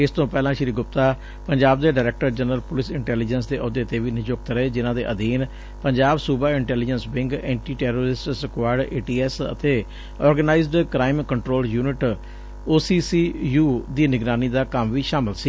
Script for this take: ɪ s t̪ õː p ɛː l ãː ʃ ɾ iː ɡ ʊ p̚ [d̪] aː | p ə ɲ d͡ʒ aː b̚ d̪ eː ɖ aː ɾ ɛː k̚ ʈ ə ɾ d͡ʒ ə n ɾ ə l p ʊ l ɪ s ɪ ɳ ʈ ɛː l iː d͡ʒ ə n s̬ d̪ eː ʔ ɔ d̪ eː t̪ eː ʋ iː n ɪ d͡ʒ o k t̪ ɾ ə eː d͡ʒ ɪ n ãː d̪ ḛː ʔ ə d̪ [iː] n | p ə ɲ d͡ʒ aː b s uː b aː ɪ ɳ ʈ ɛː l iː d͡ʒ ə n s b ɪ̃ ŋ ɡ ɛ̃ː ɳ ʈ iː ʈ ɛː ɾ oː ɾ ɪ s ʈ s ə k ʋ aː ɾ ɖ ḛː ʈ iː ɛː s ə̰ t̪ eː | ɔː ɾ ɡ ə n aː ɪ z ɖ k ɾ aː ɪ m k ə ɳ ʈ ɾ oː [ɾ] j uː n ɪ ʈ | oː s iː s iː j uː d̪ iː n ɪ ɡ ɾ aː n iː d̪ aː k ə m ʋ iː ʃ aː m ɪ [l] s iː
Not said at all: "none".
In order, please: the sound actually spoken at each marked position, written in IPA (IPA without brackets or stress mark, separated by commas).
t̪, iː, l, l